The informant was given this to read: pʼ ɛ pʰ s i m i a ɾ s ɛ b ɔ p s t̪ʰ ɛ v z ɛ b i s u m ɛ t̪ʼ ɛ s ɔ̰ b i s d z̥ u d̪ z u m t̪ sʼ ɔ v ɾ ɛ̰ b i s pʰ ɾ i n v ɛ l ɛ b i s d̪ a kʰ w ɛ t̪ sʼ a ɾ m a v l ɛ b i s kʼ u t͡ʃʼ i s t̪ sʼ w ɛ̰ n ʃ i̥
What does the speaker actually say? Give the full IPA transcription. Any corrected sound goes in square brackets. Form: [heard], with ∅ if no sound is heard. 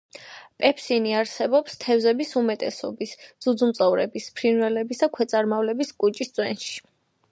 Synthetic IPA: pʼ ɛ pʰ s i [n] i a ɾ s ɛ b ɔ p s t̪ʰ ɛ v z ɛ b i s u m ɛ t̪ʼ ɛ s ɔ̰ b i s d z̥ u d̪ z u m t̪ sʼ ɔ v ɾ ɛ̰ b i s pʰ ɾ i n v ɛ l ɛ b i s d̪ a kʰ w ɛ t̪ sʼ a ɾ m a v l ɛ b i s kʼ u t͡ʃʼ i s t̪ sʼ w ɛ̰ n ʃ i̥